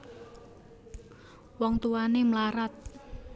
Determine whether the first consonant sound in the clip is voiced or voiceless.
voiced